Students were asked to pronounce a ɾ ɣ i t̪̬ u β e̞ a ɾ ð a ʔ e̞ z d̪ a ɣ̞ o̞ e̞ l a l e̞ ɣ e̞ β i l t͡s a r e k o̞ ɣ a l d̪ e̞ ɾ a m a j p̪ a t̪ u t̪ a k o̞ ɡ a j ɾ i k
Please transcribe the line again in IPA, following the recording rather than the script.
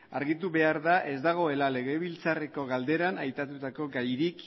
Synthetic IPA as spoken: a ɾ ɣ i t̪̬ u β e̞ a ɾ ð a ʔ e̞ z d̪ a ɣ̞ o̞ e̞ l a l e̞ ɣ e̞ β i l t͡s a r e k o̞ ɣ a l d̪ e̞ ɾ a n a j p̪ a t̪ u t̪ a k o̞ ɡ a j ɾ i k